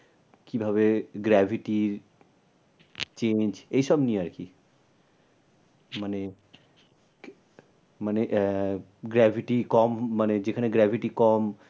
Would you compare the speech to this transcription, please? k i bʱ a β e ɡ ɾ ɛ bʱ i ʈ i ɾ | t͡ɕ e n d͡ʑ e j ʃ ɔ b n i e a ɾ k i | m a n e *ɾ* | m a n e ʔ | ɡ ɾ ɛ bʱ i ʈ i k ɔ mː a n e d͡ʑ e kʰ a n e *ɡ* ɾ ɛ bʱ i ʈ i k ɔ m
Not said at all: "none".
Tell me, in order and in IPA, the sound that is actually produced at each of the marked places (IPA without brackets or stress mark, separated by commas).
none, ɡ